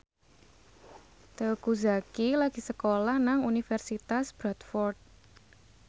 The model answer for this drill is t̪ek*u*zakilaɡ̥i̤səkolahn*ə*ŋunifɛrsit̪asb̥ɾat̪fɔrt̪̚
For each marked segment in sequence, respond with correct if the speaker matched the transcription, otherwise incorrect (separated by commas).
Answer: correct, incorrect